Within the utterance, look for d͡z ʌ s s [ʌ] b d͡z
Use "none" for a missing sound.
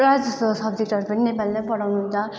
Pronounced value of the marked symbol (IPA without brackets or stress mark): ʌ